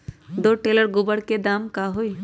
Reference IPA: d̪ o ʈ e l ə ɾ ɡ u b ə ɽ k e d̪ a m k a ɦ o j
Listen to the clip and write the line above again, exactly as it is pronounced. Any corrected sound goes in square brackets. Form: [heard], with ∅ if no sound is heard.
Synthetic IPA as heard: d̪ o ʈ e l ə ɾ ɡ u b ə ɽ k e d̪ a m k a ɦ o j